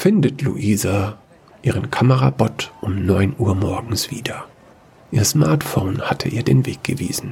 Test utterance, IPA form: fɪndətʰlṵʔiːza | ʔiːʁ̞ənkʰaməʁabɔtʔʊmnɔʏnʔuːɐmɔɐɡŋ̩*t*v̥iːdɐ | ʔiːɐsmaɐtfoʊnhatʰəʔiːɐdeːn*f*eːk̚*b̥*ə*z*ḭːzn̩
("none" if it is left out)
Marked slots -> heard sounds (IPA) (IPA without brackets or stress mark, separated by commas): s, v, ɡ̥, v